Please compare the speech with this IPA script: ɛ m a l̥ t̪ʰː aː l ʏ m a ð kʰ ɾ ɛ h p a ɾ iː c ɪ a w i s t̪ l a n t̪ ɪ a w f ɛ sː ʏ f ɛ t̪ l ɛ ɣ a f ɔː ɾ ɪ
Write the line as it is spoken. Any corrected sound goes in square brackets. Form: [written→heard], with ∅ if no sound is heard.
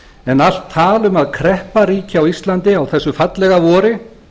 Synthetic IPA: ɛ [m→n] a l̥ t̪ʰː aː l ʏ m a ð kʰ ɾ ɛ h p a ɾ iː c ɪ a w i s t̪ l a n t̪ ɪ a w [f→θ] ɛ sː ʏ f [ɛ→a] t̪ l ɛ ɣ a [f→v] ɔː ɾ ɪ